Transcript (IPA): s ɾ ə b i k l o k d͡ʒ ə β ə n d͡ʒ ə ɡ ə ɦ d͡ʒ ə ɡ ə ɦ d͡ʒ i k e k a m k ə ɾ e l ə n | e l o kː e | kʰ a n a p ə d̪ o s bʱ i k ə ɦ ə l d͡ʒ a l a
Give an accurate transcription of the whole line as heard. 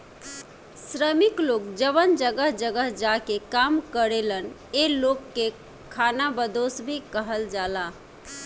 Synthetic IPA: s ɾ ə m i k l o k d͡ʒ ə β ə n d͡ʒ ə ɡ ə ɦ d͡ʒ ə ɡ ə ɦ d͡ʒ a k e k a m k ə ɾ e l ə n | e l o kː e | kʰ a n a b ə d̪ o s bʱ i k ə ɦ ə l d͡ʒ a l a